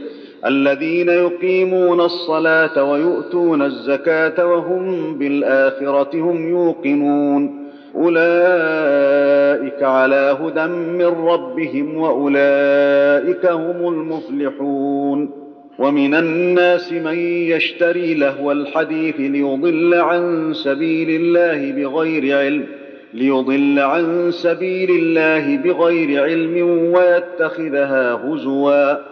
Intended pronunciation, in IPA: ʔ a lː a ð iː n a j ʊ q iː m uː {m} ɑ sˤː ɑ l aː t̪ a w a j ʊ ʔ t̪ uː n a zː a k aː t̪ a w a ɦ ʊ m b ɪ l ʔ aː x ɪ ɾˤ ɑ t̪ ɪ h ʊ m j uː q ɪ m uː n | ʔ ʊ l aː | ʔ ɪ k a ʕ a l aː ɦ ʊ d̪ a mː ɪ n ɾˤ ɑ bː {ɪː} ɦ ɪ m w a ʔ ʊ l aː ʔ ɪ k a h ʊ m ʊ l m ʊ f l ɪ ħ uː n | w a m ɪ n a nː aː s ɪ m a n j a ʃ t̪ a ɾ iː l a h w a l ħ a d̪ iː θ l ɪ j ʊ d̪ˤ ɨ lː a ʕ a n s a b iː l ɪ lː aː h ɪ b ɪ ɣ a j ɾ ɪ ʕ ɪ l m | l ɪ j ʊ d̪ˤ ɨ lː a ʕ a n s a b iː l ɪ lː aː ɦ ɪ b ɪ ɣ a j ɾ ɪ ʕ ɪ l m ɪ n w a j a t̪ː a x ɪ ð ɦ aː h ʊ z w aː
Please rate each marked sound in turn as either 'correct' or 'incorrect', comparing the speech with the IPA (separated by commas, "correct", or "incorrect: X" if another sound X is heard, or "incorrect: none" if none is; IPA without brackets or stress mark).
incorrect: n, incorrect: ɪ